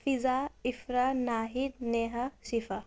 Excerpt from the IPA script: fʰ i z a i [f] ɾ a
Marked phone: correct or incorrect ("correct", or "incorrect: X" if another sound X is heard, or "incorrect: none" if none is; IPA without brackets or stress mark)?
correct